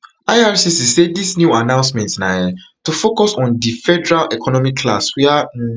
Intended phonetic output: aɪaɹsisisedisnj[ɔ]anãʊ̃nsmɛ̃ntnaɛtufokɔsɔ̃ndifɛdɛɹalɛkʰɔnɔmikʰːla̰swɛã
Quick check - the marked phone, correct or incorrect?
incorrect